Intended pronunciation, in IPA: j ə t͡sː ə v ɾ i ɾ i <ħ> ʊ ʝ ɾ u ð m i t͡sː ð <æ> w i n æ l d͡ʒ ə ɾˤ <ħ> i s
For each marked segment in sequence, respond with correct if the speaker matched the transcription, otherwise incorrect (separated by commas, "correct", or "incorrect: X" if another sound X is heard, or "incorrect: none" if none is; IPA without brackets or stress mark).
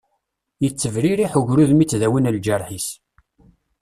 correct, correct, correct